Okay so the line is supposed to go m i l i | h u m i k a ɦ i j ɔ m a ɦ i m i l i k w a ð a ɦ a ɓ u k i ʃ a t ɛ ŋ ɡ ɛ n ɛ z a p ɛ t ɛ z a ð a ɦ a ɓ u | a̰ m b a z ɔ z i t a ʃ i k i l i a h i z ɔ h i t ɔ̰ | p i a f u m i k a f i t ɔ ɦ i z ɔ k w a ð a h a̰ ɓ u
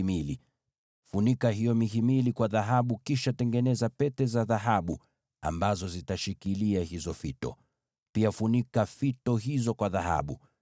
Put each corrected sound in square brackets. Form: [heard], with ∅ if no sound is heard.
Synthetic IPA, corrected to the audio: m i l i | [f] u [n] i k a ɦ i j ɔ m [i] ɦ i m i l i k w a ð a ɦ a ɓ u k i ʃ a t ɛ ŋ ɡ ɛ n ɛ z a p ɛ t ɛ z a ð a ɦ a ɓ u | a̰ m b a z ɔ z i t a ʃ i k i l i a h i z ɔ [f] i t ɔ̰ | p i a f u [n] i k a f i t ɔ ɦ i z ɔ k w a ð a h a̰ ɓ u